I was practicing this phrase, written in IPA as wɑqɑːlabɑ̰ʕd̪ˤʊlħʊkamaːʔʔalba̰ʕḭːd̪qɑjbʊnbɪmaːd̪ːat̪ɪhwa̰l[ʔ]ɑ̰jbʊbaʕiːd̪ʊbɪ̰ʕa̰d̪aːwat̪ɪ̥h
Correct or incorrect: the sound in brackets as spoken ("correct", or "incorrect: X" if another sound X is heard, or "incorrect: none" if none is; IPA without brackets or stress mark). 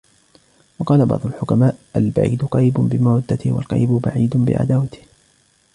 incorrect: q